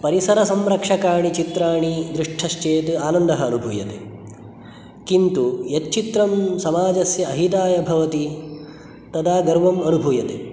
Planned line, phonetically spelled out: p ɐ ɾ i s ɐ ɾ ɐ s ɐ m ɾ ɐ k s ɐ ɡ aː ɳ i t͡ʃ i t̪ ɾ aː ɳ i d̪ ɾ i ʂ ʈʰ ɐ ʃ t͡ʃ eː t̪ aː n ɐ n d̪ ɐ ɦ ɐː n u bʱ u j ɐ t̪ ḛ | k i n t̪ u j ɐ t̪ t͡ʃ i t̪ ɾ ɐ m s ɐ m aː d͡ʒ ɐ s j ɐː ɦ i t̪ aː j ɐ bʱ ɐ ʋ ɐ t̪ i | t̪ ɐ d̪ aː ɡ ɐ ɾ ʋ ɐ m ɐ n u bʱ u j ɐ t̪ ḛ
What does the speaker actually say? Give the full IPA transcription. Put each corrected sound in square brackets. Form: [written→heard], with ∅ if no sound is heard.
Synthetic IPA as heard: p ɐ ɾ i s ɐ ɾ ɐ s ɐ m ɾ ɐ k [s→ʂ] ɐ [ɡ→k] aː ɳ i t͡ʃ i t̪ ɾ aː ɳ i d̪ ɾ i ʂ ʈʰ ɐ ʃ t͡ʃ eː t̪ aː n ɐ n d̪ ɐ ɦ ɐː n u bʱ u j ɐ t̪ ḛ | k i n t̪ u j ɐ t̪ t͡ʃ i t̪ ɾ ɐ m s ɐ m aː d͡ʒ ɐ s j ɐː ɦ i t̪ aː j ɐ bʱ ɐ ʋ ɐ t̪ i | t̪ ɐ d̪ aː ɡ ɐ ɾ ʋ ɐ m ɐ n u bʱ u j ɐ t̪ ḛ